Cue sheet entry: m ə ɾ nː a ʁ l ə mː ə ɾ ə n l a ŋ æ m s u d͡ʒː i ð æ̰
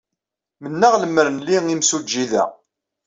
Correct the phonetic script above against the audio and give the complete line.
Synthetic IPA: m ə nː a ʁ l ə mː ə ɾ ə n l i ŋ i m s u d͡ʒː i ð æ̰